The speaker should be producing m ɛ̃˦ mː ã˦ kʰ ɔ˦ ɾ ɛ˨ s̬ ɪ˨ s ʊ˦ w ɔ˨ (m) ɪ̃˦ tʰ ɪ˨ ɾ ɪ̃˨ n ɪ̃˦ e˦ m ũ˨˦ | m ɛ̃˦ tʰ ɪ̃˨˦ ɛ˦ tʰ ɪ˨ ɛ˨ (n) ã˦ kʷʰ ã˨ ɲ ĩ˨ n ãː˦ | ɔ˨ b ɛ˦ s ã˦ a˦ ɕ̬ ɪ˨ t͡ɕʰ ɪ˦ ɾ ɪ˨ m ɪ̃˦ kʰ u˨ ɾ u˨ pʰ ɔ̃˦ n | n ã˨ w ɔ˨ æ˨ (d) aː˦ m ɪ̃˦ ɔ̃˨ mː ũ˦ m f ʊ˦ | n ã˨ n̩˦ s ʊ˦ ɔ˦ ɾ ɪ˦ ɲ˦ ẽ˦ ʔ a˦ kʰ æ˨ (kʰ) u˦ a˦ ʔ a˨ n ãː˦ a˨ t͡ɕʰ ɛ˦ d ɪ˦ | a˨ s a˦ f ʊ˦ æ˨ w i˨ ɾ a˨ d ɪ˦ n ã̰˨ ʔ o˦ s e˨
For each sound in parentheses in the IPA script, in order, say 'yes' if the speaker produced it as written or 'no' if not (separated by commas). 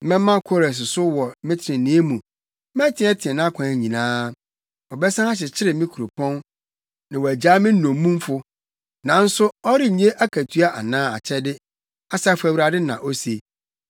yes, yes, no, no